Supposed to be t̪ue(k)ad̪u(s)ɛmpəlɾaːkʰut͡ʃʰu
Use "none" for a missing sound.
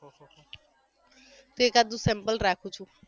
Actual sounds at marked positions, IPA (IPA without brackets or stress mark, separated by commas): k, s